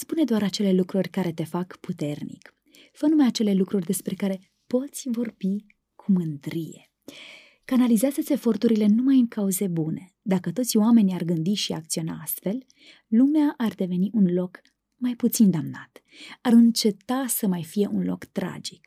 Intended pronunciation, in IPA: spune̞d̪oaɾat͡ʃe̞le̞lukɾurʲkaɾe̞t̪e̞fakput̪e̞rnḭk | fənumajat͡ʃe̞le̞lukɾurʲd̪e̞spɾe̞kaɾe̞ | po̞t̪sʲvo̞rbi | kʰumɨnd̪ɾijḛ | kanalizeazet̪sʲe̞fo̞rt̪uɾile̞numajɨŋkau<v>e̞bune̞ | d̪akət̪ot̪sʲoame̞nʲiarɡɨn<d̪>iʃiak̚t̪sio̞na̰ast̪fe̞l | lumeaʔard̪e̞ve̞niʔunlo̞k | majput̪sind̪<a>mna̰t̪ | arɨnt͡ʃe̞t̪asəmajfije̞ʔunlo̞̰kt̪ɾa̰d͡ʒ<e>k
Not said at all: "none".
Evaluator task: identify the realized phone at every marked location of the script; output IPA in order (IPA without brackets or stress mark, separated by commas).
z, d̪, a, i